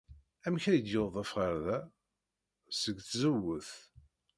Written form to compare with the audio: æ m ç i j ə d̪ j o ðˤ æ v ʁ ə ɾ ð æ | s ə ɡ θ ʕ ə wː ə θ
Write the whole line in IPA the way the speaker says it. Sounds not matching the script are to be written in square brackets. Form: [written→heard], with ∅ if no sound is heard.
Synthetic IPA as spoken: æ m ç [i→æ] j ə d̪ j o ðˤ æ [v→f] ʁ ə ɾ ð æ | s ə ɡ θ [ʕ→z] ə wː ə θ

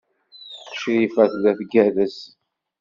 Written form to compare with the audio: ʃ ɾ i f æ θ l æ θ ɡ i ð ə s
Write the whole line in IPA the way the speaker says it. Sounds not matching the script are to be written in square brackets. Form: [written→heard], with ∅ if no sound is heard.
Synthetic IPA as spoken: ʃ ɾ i f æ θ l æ θ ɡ [i→æ] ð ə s

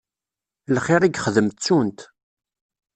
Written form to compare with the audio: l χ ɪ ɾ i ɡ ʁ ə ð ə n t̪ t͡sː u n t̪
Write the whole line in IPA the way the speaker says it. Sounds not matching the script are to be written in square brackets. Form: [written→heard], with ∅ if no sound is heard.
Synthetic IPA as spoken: l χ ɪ ɾ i ɡ [ʁ→χ] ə ð ə [n→m] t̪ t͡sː u n t̪

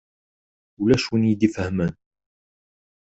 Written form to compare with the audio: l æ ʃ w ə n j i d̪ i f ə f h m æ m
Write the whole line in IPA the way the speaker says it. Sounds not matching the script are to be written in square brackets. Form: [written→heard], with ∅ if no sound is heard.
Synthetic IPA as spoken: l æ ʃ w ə n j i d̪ i f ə [f→∅] h m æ [m→n]

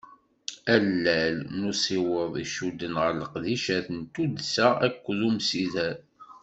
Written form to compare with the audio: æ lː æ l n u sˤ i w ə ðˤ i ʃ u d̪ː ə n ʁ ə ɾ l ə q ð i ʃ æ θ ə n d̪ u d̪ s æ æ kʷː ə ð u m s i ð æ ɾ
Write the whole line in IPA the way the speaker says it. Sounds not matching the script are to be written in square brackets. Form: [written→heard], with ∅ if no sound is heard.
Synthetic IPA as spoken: æ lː æ l n u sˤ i w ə ðˤ i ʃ u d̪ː ə n ʁ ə ɾ l ə q ð i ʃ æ θ ə n [d̪→t̪] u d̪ s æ æ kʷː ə ð u m s i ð æ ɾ

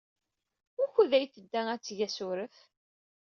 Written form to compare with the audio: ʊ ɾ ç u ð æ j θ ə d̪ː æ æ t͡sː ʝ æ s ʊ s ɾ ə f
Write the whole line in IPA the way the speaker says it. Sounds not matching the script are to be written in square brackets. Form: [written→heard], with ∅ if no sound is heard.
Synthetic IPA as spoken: ʊ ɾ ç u ð æ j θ ə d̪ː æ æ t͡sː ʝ æ s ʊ [s→∅] ɾ ə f

